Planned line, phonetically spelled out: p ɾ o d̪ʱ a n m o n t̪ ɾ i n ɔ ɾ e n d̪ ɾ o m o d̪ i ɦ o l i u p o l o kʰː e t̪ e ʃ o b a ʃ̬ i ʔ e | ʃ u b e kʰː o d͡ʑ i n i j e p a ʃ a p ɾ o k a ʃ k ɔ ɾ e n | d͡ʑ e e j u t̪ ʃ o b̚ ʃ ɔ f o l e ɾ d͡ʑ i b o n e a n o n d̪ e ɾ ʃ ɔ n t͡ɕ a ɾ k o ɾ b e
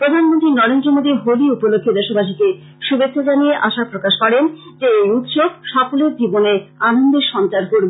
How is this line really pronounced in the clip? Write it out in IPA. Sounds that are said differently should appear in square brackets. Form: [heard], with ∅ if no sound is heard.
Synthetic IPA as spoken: p ɾ o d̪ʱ a n m o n t̪ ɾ i n ɔ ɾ e n d̪ ɾ o m o d̪ i ɦ o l i u p o l o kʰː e [d̪] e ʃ o b a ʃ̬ i [k] e | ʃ u b e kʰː o d͡ʑ [a] n i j e [ʔ] a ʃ a p ɾ o k a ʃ k ɔ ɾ e n | d͡ʑ e e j u t̪ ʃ o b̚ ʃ ɔ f o l e ɾ d͡ʑ i b o n e a n o n d̪ e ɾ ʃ ɔ n t͡ɕ a ɾ k o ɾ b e